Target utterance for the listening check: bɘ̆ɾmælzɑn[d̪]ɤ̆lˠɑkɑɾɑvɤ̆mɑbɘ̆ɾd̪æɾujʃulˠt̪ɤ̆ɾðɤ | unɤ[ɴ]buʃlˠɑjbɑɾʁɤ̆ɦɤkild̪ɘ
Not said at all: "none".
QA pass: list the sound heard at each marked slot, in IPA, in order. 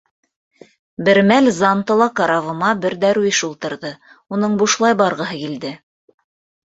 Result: t̪, ɴ

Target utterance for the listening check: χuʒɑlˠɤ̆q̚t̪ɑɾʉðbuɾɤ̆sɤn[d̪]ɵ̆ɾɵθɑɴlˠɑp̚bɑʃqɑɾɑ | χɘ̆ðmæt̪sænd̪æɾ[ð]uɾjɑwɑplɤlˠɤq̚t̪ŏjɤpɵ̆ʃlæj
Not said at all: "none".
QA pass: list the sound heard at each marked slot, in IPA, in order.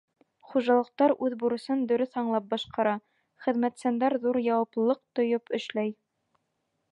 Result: d̪, ð

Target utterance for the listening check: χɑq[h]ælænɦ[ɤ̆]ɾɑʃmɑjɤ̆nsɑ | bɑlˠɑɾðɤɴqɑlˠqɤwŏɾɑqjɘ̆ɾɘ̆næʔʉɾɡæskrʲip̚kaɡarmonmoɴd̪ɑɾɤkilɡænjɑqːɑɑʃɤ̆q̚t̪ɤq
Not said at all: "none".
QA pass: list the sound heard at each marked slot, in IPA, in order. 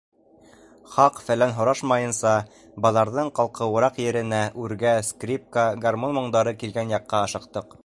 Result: f, ŏ

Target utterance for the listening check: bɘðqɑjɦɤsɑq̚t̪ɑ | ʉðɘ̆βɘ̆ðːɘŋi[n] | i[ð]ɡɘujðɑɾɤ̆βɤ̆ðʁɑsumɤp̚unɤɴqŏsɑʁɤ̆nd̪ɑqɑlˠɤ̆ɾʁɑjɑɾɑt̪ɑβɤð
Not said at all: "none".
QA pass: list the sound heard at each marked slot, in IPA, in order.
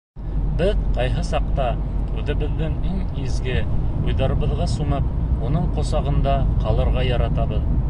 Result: ŋ, z

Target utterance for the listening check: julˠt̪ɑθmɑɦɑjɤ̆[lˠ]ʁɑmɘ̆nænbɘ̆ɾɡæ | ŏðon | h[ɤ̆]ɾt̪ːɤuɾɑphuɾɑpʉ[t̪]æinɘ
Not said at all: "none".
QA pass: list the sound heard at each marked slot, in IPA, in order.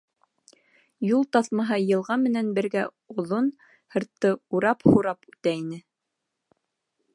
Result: lˠ, ɤ̆, t̪

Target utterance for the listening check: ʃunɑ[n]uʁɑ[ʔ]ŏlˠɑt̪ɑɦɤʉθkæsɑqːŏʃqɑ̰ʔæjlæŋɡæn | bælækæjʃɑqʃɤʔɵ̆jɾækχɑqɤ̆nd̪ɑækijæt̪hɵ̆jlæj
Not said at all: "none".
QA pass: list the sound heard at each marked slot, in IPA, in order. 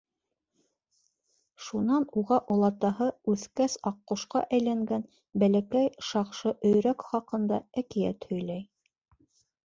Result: n, ʔ

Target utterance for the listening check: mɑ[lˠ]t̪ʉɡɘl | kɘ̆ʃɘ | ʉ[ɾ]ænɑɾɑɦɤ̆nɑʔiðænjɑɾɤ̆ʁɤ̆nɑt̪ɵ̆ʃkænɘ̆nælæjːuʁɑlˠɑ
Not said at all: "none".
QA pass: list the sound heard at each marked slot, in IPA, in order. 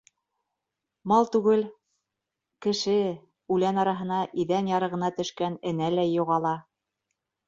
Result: lˠ, l

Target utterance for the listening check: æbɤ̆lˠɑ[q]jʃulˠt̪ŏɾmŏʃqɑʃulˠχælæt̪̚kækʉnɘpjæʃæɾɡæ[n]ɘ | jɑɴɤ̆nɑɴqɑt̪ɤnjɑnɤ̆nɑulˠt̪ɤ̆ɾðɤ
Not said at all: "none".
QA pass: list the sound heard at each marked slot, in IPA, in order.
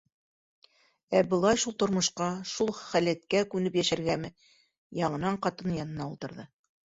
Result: none, m

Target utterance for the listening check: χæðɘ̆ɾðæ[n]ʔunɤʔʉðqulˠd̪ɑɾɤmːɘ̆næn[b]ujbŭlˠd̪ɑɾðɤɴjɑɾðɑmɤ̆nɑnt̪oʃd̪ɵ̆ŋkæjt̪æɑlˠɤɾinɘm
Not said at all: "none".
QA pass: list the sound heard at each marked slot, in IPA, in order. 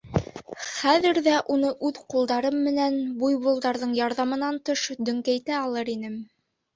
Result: none, b

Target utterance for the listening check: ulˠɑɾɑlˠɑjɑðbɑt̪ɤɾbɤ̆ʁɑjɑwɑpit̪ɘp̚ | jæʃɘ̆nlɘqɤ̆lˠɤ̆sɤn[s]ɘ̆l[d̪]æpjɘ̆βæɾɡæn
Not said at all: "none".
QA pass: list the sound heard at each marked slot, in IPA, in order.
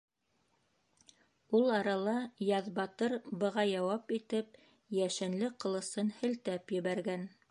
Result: h, t̪

